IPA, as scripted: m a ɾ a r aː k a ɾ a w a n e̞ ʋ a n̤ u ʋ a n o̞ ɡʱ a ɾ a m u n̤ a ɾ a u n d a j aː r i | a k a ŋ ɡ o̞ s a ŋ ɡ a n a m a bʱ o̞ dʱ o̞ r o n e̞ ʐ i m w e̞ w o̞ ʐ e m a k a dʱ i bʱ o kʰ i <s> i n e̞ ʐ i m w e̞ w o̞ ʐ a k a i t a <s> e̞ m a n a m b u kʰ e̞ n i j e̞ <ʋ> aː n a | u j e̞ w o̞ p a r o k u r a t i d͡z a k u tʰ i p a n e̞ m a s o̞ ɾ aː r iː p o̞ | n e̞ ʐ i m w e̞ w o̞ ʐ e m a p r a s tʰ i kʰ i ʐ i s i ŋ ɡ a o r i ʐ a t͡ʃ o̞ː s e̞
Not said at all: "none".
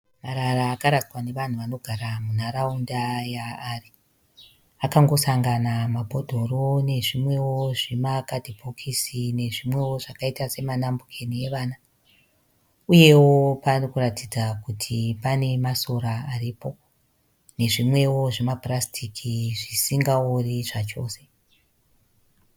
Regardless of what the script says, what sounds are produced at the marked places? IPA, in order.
s, s, ʋ

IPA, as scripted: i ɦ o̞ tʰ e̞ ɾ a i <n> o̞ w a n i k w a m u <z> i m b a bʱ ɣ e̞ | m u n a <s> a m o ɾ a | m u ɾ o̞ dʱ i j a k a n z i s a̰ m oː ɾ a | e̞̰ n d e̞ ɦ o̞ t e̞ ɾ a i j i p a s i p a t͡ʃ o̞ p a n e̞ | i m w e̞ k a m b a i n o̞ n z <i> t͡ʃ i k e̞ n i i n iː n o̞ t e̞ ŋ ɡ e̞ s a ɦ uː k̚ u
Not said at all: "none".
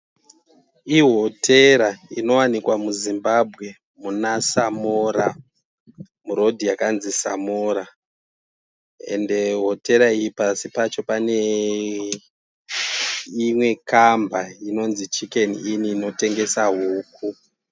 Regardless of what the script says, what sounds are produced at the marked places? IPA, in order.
n, z, s, i

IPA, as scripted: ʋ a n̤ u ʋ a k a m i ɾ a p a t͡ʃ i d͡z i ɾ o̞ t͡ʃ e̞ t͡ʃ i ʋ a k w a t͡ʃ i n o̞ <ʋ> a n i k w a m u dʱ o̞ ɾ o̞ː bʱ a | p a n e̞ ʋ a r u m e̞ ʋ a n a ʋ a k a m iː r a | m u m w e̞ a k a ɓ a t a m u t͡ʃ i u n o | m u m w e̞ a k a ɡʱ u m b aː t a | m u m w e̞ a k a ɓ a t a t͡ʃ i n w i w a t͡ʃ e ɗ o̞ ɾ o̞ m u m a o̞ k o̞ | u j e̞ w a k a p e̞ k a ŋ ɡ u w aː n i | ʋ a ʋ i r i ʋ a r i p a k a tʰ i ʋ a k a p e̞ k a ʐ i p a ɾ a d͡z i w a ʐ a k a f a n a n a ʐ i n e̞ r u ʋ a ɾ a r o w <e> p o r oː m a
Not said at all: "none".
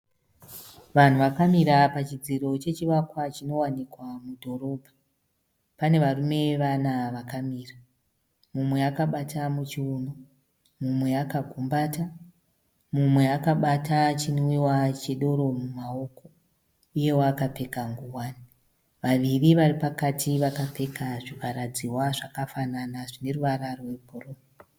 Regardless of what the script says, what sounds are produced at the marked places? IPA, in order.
w, e

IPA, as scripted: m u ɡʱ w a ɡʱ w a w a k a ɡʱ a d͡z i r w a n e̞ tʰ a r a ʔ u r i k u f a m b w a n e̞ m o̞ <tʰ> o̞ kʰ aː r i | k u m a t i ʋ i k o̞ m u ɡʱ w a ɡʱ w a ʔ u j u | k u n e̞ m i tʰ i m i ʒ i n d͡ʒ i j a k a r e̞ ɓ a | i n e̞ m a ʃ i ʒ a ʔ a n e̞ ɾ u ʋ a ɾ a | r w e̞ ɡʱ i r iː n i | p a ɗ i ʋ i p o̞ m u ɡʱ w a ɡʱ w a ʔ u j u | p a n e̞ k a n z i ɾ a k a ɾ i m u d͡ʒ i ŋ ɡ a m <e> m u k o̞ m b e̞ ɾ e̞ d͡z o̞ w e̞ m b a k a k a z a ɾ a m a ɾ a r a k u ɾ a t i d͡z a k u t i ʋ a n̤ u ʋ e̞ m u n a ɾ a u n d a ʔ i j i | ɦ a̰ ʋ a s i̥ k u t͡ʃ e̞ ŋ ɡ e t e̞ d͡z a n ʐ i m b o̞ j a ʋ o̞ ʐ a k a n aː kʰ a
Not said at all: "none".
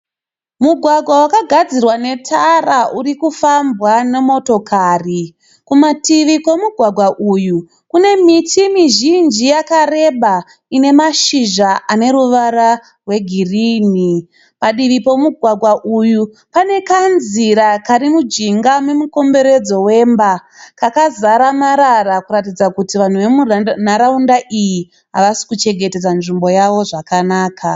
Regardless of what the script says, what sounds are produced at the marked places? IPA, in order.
t, e

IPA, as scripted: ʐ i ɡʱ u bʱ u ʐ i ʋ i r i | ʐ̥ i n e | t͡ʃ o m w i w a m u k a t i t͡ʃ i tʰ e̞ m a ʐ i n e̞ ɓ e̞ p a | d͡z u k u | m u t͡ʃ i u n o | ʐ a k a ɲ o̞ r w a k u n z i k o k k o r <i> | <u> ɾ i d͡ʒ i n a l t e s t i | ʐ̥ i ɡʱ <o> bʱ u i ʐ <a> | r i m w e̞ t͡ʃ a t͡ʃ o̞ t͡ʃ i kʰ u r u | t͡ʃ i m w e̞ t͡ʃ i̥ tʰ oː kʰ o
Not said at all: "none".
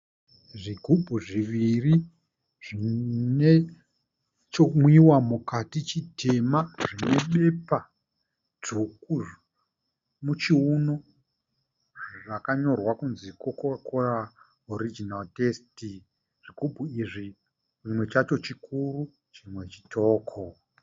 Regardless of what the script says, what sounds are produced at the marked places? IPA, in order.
a, o, u, i

